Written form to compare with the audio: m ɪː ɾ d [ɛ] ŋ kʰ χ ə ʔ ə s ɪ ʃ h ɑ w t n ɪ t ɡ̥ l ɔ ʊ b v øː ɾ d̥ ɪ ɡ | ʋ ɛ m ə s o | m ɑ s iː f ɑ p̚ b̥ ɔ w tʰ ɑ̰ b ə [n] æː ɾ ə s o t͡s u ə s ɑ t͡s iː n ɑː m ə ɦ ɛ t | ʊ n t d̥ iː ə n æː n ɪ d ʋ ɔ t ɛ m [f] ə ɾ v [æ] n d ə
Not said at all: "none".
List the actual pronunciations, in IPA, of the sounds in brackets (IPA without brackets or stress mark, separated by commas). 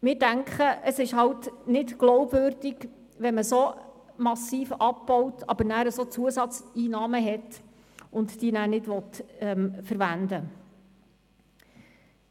æ, n, f, æ